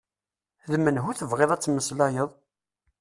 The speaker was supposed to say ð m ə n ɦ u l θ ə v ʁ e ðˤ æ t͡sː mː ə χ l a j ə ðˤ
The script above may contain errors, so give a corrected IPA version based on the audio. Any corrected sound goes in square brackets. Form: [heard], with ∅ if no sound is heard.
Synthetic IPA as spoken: ð m ə n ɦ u [∅] θ ə v ʁ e ðˤ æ t͡sː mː ə [s] l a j ə ðˤ